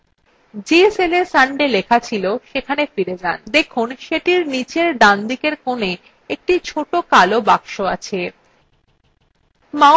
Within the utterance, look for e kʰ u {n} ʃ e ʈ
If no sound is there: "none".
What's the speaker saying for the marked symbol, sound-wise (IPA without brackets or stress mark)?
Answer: n